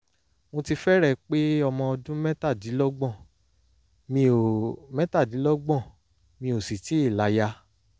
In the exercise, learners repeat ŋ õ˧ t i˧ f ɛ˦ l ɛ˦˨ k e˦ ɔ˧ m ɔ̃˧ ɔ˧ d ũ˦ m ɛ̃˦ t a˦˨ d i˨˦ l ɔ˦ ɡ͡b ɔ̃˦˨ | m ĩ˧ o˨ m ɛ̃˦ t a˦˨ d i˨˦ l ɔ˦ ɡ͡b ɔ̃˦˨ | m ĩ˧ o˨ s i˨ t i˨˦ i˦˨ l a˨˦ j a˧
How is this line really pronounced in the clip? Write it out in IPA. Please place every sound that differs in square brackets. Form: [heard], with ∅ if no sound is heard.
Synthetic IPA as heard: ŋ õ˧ t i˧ f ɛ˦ [ɾ] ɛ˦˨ [k͡p] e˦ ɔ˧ m ɔ̃˧ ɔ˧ d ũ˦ m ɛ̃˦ t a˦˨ d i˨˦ l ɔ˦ ɡ͡b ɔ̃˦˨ | m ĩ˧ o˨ m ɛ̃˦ t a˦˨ d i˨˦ l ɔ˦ ɡ͡b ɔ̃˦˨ | m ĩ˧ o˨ s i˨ t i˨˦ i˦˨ l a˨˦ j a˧